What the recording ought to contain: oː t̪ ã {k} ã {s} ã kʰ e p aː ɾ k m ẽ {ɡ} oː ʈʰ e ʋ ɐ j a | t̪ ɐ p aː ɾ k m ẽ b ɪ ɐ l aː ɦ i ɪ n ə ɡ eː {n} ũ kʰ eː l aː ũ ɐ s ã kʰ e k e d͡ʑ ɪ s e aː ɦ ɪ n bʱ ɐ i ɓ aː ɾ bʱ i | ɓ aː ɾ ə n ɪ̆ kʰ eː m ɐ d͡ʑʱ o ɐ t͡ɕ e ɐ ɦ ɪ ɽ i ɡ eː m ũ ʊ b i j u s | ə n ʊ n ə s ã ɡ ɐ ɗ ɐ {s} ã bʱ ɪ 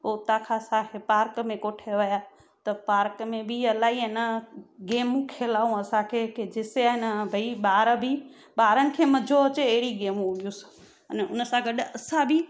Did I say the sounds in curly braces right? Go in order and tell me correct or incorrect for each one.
incorrect, correct, incorrect, incorrect, correct

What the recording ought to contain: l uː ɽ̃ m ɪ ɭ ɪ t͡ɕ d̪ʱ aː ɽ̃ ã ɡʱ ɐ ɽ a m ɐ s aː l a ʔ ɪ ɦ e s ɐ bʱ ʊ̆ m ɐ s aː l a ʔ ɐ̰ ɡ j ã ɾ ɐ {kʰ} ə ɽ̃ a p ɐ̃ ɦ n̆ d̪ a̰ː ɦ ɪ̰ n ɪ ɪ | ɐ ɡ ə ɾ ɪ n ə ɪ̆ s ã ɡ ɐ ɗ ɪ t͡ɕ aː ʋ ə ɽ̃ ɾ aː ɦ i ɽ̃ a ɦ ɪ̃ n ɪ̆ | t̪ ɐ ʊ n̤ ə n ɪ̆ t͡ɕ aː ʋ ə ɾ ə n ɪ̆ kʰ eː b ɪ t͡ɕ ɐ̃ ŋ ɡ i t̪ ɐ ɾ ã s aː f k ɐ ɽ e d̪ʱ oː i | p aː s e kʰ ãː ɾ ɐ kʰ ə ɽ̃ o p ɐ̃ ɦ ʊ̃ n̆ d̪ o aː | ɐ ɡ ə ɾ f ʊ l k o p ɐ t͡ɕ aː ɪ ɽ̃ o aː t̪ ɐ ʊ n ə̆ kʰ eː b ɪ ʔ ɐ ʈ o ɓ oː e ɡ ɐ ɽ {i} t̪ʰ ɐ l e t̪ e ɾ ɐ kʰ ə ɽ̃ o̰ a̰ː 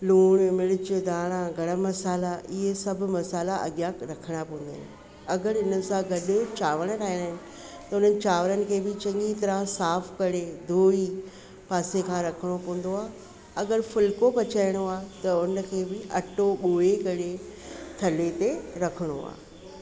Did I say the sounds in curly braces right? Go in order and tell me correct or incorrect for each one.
correct, incorrect

